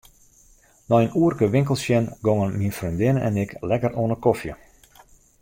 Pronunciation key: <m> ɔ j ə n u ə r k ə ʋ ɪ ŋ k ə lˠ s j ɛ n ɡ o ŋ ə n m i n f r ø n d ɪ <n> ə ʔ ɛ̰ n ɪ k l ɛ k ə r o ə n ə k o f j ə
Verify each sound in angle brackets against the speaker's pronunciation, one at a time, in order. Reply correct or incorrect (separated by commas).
incorrect, correct